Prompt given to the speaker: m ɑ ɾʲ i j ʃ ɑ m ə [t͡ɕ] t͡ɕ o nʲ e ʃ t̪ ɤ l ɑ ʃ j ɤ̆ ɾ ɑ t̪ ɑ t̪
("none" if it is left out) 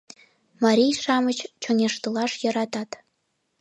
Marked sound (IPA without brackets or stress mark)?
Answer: t͡ɕ